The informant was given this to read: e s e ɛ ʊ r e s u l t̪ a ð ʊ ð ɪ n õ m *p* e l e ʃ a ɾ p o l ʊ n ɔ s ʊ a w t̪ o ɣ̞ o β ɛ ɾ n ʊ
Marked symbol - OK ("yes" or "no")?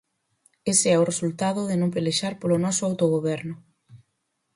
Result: yes